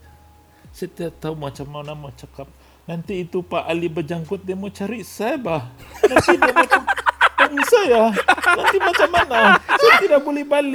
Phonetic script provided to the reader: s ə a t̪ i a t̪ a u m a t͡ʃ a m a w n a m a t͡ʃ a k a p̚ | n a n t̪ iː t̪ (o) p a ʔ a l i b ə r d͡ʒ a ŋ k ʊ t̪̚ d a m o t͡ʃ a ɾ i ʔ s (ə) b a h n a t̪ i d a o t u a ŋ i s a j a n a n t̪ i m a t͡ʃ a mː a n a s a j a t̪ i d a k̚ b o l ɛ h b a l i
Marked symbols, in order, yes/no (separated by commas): no, no